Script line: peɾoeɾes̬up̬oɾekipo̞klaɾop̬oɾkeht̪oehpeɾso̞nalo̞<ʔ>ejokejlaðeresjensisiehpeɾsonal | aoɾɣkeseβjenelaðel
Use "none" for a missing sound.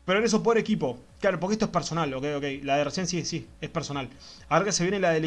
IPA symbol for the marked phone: k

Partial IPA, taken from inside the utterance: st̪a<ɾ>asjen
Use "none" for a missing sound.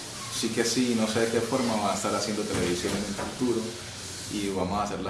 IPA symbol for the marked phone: ɾ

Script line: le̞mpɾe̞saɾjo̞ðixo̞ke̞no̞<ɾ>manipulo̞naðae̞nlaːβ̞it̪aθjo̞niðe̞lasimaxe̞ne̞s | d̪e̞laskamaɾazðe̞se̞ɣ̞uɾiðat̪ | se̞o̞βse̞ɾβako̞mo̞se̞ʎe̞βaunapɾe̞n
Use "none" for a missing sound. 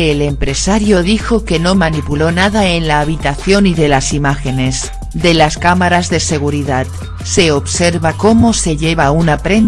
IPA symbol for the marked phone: none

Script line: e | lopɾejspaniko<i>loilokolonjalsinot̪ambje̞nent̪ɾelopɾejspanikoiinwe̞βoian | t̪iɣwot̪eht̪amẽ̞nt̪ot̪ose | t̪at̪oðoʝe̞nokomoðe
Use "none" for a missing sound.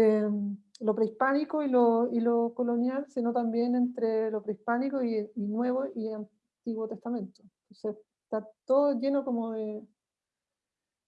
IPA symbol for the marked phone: i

